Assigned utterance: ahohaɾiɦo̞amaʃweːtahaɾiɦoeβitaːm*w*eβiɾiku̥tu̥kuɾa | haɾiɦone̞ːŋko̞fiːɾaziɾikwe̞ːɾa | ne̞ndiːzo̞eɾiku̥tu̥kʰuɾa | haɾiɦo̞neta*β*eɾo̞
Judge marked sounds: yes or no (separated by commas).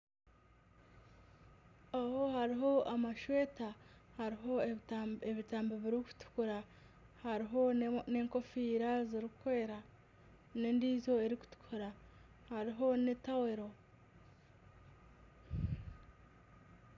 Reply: no, no